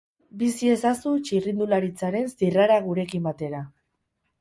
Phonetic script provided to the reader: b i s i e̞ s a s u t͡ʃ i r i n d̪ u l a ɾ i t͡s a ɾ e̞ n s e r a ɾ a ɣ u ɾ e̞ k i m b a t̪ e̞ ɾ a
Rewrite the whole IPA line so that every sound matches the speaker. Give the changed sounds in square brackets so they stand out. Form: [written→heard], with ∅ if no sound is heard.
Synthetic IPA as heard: b i s i e̞ s a s u t͡ʃ i r i n d̪ u l a ɾ i t͡s a ɾ e̞ n s [e→i] r a ɾ a ɣ u ɾ e̞ k i m b a t̪ e̞ ɾ a